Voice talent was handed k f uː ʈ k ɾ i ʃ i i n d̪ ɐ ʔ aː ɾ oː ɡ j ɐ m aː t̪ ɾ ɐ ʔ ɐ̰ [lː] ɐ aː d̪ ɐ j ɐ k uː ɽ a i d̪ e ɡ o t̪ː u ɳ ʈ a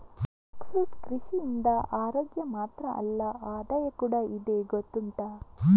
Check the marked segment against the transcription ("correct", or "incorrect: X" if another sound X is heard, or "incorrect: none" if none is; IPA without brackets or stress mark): correct